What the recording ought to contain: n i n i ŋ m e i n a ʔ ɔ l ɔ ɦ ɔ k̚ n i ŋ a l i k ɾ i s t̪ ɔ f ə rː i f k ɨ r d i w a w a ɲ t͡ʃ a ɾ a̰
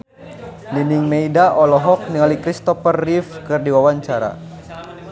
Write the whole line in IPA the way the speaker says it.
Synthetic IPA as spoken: n i n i ŋ m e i d a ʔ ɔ l ɔ ɦ ɔ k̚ n i ŋ a l i k ɾ i s t̪ ɔ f ə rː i f k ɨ r d i w a w a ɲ t͡ʃ a ɾ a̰